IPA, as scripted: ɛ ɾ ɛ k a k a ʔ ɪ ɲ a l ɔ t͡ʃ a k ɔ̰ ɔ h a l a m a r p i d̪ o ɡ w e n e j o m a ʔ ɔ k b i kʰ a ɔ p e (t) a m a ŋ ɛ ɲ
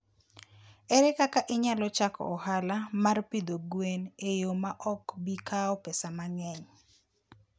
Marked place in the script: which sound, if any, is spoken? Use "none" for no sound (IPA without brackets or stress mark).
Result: s